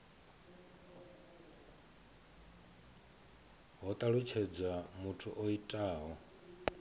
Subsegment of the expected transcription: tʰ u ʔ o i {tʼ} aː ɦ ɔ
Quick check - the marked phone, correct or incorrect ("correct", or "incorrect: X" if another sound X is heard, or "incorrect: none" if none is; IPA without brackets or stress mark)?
correct